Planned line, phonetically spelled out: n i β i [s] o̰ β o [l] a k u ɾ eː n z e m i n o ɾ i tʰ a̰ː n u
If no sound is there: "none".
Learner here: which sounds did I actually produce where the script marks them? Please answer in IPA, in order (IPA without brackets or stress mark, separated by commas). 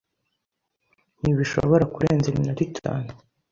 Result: ʃ, ɾ